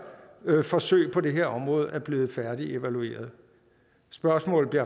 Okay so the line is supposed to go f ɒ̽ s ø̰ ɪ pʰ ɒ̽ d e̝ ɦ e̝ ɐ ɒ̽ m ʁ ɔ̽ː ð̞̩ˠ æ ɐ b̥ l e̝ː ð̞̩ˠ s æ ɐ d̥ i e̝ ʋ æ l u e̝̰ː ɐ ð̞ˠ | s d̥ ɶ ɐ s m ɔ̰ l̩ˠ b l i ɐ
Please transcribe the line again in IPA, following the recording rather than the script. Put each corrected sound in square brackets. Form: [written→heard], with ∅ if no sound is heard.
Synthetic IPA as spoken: f ɒ̽ s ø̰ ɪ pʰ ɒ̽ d e̝ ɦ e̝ ɐ ɒ̽ m ʁ ɔ̽ː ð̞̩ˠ æ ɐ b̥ l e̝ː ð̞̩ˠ [s→f] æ ɐ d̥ i e̝ ʋ æ l u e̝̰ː ɐ ð̞ˠ | s [d̥→b̥] ɶ ɐ s m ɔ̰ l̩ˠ b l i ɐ